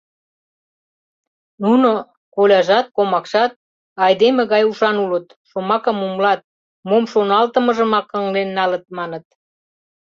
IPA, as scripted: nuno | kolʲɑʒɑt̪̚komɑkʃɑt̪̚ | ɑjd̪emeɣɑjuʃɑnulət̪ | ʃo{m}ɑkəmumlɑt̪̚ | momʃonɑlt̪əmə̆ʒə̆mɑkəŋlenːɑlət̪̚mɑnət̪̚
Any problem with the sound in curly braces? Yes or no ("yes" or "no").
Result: no